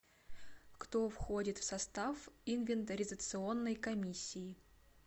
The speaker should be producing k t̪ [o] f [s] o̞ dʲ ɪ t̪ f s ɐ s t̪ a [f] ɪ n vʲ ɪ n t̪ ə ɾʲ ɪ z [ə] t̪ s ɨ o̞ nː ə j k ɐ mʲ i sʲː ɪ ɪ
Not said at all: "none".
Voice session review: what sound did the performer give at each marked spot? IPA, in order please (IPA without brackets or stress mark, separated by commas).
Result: o, x, f, ə